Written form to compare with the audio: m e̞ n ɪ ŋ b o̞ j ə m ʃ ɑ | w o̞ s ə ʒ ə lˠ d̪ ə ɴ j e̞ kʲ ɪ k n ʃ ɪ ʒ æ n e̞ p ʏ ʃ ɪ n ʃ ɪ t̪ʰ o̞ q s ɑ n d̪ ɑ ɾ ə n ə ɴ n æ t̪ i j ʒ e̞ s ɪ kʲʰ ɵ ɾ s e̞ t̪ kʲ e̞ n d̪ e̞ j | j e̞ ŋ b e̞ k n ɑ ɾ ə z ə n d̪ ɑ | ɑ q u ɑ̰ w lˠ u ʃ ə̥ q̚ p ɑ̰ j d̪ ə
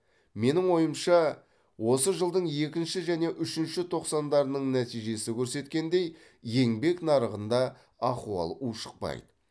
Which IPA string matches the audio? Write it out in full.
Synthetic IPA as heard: m e̞ n ɪ ŋ w o̞ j ə m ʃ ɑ | w o̞ s ə ʒ ə lˠ d̪ ə ɴ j e̞ kʲ ɪ n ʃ ɪ ʒ æ n e̞ ʔ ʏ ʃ ɪ n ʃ ɪ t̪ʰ o̞ q s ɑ n d̪ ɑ ɾ ə n ə ɴ n æ t̪ i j ʒ e̞ s ɪ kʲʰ ɵ ɾ s e̞ t̪ kʲ e̞ n d̪ e̞ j | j e̞ ŋ b e̞ k n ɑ ɾ ə ʁ ə n d̪ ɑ | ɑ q u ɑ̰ lˠ u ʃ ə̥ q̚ p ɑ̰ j d̪ ə